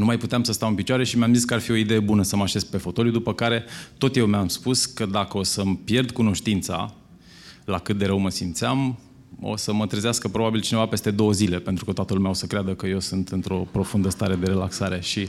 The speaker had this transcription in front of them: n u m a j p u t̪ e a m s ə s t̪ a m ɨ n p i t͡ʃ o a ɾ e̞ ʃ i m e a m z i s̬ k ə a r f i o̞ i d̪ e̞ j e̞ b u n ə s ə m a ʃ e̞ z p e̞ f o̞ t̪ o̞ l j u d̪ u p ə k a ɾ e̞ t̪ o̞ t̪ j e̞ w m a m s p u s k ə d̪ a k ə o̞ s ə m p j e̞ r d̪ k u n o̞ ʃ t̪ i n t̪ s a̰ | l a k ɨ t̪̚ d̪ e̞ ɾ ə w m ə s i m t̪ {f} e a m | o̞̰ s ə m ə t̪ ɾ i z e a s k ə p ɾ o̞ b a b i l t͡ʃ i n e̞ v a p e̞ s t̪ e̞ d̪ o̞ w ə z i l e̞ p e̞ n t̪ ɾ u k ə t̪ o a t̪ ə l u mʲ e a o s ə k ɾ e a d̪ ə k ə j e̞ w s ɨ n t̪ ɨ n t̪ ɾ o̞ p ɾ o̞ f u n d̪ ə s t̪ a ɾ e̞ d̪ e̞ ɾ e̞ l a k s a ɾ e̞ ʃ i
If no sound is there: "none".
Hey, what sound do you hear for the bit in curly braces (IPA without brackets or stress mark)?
s